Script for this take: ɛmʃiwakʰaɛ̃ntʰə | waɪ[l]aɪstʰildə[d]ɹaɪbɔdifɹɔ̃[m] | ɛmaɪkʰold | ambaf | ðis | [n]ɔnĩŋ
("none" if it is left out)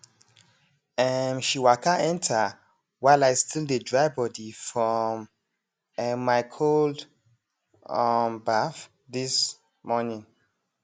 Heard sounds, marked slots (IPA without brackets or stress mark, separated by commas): l, d, m, m